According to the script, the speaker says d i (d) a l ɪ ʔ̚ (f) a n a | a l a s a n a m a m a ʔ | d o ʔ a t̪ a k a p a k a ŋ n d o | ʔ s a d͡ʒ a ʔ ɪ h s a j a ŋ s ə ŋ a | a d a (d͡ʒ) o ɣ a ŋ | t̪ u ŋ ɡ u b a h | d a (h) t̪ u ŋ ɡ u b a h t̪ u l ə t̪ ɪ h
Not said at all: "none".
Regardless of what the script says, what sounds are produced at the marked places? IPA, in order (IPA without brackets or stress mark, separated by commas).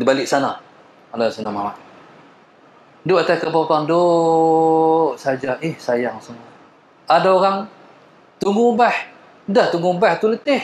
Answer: b, s, none, h